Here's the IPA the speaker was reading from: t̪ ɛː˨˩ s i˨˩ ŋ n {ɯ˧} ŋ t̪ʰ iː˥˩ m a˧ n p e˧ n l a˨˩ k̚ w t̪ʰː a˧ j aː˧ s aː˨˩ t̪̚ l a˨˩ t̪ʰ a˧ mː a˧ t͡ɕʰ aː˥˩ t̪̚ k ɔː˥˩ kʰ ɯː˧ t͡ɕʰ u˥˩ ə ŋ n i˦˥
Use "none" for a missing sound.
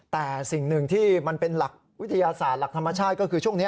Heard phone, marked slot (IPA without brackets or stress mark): ɯ˨˩